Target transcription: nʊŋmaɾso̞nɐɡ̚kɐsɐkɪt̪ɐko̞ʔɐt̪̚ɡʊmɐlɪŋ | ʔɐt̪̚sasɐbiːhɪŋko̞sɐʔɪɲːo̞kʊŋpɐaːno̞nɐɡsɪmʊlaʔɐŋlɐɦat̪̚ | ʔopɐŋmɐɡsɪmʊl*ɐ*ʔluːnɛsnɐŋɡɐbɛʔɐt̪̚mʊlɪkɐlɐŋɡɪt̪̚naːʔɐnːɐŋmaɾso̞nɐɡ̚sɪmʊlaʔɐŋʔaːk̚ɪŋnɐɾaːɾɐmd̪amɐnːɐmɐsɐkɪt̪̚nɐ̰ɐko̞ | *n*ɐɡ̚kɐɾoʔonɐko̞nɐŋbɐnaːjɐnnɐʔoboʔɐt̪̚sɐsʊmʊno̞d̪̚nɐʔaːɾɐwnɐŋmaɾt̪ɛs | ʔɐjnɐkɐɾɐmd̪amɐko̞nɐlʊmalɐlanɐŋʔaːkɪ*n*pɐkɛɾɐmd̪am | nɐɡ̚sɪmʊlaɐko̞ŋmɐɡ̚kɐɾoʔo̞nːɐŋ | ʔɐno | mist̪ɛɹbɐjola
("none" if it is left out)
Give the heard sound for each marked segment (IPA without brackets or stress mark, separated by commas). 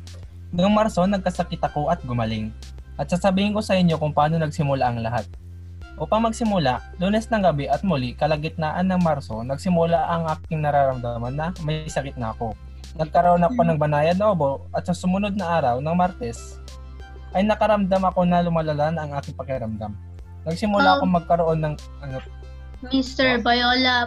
a, n, ŋ